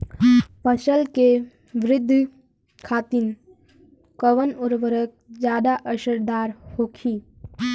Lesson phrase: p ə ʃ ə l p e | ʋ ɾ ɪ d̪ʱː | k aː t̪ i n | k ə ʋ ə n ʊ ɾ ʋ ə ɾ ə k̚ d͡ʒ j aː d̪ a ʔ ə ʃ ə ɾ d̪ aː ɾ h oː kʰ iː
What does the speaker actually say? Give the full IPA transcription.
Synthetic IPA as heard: p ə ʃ ə l k e | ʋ ɾ ɪ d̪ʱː | kʰ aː t̪ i n | k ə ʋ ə n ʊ ɾ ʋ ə ɾ ə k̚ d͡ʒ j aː d̪ a ʔ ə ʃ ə ɾ d̪ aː ɾ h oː kʰ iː